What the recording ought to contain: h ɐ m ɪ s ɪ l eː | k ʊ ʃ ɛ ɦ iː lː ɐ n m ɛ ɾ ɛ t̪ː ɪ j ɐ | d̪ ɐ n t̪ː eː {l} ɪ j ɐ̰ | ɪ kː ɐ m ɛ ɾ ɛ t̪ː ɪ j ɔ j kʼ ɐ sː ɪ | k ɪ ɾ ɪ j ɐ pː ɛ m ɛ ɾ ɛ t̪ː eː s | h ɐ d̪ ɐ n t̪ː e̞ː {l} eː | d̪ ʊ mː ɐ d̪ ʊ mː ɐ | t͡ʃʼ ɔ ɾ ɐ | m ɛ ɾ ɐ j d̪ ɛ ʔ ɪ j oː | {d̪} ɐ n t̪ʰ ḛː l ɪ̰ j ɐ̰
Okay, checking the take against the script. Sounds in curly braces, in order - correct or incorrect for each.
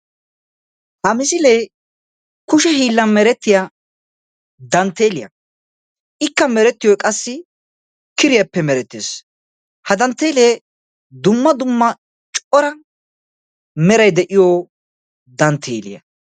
correct, correct, correct

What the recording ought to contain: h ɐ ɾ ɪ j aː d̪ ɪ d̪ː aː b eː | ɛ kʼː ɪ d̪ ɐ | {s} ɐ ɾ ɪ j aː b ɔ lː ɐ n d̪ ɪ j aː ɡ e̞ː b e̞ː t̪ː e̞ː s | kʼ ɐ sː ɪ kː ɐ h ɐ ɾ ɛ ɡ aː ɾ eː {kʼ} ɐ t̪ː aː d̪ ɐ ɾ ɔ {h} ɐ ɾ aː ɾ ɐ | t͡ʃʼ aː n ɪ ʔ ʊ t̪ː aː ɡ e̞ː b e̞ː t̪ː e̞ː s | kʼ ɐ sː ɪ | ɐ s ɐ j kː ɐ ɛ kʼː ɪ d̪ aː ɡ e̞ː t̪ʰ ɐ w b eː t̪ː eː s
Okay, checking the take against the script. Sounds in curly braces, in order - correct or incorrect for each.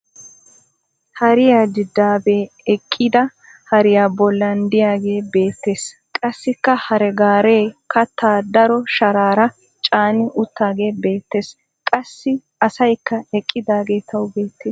incorrect: h, incorrect: k, incorrect: ʃ

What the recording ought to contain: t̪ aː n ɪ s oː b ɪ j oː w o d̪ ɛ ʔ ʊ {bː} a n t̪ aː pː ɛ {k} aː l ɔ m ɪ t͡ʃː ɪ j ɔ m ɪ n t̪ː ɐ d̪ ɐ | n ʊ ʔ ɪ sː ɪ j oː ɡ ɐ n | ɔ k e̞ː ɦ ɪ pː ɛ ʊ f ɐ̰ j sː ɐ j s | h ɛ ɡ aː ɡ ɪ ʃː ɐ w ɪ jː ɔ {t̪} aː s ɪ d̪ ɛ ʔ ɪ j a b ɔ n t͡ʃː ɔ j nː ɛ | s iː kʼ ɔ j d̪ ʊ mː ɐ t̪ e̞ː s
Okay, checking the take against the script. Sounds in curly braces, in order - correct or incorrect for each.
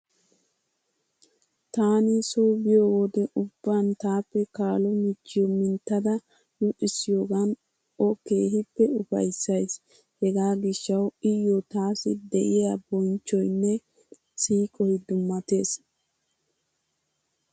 correct, correct, correct

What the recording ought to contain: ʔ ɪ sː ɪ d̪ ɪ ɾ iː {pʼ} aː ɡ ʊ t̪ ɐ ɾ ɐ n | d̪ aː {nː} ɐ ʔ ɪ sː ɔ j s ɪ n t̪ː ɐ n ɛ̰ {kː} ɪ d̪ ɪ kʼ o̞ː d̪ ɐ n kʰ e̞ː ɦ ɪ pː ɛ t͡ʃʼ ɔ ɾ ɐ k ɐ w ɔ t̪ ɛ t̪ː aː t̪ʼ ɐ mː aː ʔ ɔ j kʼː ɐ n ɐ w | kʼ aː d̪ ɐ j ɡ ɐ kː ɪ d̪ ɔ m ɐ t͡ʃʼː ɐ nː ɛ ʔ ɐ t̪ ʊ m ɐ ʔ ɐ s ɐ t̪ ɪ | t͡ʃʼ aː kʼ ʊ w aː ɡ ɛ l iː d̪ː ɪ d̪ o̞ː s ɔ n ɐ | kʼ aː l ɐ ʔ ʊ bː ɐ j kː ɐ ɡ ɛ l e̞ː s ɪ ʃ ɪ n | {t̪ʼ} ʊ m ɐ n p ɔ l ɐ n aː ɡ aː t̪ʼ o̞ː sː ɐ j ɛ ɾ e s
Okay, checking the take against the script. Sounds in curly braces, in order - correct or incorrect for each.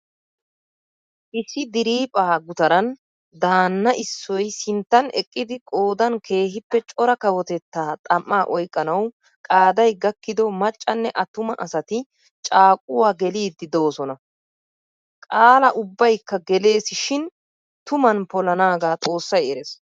correct, correct, incorrect: kʼː, incorrect: t̪

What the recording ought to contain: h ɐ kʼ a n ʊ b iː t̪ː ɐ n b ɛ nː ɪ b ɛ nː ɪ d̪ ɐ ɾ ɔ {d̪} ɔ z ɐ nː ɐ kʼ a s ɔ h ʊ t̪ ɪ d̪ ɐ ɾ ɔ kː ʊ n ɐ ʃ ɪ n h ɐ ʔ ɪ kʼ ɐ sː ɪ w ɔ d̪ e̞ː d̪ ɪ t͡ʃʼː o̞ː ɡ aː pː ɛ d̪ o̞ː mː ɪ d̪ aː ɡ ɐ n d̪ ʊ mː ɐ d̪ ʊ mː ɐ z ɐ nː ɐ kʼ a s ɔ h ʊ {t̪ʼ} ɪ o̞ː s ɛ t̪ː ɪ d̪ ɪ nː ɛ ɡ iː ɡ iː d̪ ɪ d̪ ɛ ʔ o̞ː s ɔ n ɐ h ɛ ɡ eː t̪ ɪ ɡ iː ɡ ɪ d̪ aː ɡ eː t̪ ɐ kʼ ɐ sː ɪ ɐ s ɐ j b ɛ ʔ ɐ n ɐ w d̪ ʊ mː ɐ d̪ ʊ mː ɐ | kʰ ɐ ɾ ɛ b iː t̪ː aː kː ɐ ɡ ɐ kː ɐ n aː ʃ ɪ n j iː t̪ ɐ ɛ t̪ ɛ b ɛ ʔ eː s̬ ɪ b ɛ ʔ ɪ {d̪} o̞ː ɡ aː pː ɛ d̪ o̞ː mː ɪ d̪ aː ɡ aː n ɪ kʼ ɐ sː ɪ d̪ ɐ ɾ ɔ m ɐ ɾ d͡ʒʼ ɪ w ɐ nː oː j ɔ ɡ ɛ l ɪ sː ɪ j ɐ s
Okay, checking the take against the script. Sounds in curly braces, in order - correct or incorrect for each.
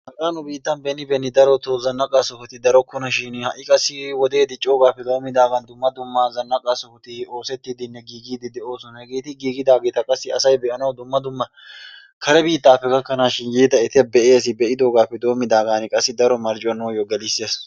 incorrect: t̪, incorrect: t̪, correct

